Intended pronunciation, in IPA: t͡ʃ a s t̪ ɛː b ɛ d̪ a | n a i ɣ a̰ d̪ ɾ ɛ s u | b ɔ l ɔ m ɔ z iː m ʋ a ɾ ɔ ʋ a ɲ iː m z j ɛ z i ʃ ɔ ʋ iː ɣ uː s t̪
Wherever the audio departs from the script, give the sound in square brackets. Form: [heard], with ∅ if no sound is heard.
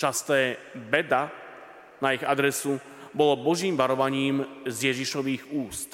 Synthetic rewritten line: t͡ʃ a s t̪ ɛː b ɛ d̪ a | n a i ɣ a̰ d̪ ɾ ɛ s u | b ɔ l ɔ [b] ɔ [ʒ] iː m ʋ a ɾ ɔ ʋ a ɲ iː m z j ɛ [ʒ] i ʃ ɔ ʋ iː ɣ uː s t̪